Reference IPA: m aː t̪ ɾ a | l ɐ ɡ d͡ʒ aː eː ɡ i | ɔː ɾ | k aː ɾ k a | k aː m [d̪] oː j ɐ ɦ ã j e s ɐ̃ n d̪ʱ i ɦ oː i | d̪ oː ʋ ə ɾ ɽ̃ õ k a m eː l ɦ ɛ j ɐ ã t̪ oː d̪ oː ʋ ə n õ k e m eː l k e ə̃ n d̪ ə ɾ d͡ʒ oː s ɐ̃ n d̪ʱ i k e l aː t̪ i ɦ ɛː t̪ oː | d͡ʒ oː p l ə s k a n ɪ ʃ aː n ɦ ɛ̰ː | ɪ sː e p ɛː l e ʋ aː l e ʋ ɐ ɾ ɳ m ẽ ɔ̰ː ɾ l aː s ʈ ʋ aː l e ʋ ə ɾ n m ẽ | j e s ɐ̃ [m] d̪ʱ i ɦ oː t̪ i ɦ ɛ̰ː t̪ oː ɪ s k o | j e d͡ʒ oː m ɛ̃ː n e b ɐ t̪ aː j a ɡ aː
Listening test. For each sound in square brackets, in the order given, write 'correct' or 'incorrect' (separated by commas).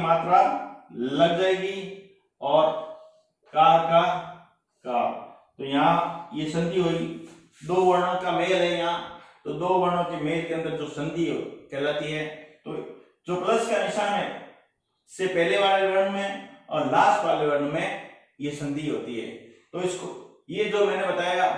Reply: incorrect, incorrect